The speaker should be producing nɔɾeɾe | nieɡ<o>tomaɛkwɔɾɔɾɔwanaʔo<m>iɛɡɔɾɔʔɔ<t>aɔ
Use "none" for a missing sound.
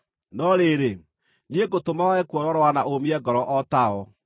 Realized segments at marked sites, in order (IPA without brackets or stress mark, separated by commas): o, m, t